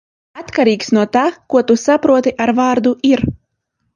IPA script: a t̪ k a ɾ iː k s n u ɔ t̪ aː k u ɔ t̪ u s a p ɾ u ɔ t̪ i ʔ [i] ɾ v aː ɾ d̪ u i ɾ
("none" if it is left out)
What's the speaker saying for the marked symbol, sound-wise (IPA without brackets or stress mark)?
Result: a